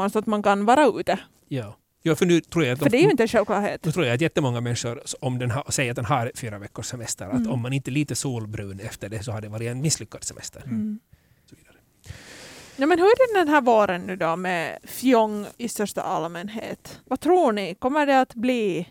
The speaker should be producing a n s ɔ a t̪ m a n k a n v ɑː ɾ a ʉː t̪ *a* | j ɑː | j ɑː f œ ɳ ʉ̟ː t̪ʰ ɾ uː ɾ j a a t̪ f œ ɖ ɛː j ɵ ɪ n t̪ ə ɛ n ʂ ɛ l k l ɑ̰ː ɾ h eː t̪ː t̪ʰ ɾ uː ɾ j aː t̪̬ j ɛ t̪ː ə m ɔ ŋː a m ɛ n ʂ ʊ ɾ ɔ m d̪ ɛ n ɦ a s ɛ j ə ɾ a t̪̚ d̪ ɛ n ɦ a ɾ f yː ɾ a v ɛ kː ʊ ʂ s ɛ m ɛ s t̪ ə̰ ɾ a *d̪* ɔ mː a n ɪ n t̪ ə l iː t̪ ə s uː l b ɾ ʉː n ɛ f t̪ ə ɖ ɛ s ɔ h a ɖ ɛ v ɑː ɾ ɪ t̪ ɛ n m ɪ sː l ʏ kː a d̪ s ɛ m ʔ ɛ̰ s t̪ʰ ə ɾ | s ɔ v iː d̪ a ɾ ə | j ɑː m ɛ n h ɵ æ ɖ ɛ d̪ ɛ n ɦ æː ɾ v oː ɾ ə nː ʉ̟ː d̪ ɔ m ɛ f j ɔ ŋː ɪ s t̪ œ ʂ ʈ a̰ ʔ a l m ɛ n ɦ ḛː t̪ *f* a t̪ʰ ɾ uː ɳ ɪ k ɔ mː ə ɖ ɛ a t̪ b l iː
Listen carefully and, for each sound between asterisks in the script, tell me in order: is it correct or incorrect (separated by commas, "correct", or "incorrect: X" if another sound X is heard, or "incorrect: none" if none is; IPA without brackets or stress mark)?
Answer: incorrect: ə, incorrect: t̪, incorrect: v